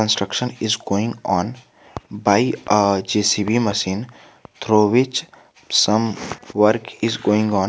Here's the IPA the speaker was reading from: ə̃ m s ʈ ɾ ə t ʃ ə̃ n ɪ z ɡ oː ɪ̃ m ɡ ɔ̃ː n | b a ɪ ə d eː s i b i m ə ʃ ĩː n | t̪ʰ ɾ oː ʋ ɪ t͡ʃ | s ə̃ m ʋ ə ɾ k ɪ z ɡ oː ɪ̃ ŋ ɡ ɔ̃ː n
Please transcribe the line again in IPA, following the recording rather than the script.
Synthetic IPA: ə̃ n s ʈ ɾ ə k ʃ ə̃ n ɪ z ɡ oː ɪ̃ ŋ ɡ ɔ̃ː n | b a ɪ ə d͡ʒ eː s i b i m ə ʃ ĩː n | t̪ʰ ɾ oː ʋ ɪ t͡ʃ | s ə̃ m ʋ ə ɾ k ɪ z ɡ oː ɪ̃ ŋ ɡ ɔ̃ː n